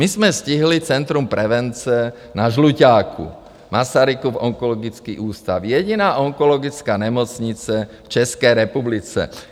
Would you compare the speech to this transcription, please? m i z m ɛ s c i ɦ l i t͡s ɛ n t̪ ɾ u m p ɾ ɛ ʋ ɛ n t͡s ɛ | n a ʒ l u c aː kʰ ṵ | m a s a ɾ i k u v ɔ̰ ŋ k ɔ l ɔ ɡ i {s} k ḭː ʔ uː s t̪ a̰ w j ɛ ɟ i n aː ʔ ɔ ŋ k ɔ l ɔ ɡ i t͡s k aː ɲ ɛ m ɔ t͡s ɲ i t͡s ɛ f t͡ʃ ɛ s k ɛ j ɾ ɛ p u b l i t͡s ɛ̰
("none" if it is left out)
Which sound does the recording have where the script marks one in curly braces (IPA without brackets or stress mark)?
t͡s